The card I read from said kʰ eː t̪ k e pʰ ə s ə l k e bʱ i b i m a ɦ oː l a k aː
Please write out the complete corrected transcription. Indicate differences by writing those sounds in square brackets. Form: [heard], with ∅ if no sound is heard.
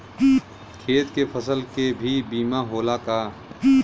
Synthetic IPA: kʰ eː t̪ k e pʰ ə s ə l k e bʱ i b [iː] m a ɦ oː l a k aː